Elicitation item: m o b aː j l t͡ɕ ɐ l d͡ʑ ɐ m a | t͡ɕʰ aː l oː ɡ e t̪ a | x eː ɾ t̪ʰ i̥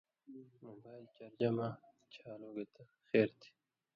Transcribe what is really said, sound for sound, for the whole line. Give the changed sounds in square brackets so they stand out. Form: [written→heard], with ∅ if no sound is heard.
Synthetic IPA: m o b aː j l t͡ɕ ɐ [l→ɾ] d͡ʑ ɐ m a | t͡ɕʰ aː l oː ɡ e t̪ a | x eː ɾ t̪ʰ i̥